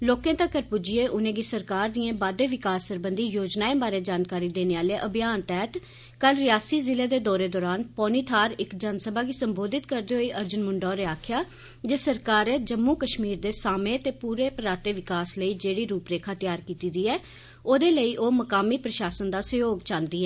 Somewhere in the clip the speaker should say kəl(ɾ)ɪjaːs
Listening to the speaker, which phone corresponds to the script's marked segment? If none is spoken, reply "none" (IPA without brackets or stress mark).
ɾ